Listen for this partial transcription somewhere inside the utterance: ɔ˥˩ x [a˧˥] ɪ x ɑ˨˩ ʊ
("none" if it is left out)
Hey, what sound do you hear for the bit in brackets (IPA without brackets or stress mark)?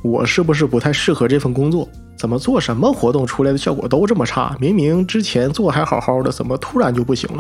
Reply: a˧˥